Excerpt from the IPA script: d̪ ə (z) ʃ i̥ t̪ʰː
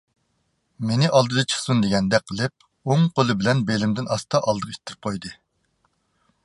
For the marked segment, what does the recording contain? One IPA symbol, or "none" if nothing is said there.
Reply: ʁ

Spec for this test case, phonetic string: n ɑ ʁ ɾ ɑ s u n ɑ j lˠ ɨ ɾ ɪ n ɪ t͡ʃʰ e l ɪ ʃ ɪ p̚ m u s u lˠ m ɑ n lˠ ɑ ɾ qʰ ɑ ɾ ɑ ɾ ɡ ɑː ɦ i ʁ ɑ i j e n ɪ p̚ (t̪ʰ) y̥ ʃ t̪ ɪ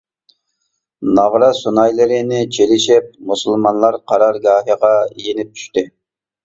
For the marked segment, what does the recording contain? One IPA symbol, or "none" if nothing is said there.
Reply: t̪ʰ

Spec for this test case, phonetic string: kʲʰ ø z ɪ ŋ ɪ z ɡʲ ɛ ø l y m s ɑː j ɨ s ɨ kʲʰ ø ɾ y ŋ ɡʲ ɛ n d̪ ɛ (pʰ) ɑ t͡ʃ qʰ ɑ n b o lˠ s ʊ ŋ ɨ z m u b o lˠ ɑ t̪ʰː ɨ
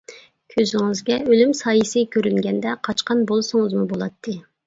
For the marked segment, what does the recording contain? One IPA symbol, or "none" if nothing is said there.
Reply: qʰ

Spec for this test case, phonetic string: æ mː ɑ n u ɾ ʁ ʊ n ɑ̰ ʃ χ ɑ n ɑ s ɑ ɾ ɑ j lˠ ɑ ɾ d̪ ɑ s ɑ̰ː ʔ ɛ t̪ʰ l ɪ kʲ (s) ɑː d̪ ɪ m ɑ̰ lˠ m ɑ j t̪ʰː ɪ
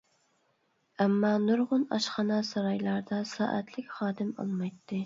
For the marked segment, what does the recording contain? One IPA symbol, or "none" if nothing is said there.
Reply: χ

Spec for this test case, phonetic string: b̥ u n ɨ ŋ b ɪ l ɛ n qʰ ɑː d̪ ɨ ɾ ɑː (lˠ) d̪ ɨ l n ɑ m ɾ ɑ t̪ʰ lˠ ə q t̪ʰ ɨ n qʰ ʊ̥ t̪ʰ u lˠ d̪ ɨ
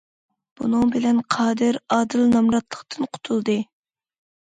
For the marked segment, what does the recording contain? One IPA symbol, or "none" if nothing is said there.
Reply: none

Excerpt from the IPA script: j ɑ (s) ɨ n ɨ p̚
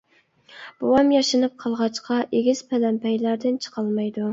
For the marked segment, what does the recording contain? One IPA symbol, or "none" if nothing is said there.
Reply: ʃ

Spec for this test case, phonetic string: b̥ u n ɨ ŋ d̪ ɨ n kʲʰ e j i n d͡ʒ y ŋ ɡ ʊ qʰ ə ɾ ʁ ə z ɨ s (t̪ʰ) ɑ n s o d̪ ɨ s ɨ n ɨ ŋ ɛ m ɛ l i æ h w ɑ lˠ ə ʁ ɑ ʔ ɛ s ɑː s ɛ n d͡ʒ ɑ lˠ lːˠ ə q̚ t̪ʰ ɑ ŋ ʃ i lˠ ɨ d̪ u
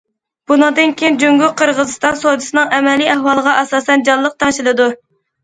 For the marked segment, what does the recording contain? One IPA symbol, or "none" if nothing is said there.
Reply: t̪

